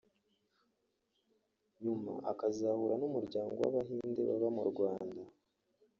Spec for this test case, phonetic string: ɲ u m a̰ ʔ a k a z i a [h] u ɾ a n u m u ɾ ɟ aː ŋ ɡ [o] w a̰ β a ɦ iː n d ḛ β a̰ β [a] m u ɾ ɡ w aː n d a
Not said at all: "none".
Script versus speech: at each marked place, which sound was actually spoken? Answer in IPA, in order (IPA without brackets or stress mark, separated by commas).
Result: h, o, a